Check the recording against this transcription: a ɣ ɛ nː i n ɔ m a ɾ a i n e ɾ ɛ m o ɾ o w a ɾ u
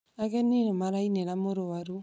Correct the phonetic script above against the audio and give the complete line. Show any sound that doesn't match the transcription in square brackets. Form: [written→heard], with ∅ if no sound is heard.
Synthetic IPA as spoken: a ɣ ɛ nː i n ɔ m a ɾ a i n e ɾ [ɛ→a] m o ɾ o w a ɾ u